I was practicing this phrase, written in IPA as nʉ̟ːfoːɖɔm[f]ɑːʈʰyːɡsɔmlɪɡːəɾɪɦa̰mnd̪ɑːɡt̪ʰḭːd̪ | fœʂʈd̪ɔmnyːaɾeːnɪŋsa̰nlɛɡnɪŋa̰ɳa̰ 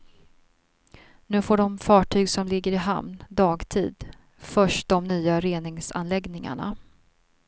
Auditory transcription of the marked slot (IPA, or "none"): f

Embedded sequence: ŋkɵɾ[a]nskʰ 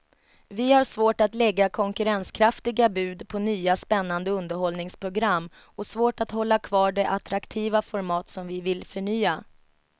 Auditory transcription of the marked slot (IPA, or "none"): ɛ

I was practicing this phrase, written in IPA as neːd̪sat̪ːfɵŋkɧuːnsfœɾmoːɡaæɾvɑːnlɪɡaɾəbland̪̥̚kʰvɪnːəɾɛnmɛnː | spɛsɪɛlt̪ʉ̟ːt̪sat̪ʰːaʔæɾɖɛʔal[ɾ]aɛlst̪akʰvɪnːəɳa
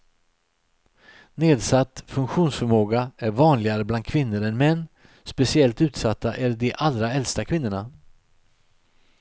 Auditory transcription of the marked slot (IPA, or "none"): ɾ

